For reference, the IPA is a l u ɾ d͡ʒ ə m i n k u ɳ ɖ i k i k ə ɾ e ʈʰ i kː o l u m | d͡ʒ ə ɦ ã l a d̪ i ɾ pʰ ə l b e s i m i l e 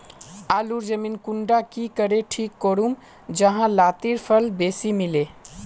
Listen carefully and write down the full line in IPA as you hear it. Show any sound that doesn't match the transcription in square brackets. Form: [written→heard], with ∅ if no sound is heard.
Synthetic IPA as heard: a l u ɾ d͡ʒ ə m i n k u ɳ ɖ [i→a] k i k ə ɾ e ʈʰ i kː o [l→ɾ] u m | d͡ʒ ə ɦ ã l a [d̪→t̪] i ɾ pʰ ə l b e s i m i l e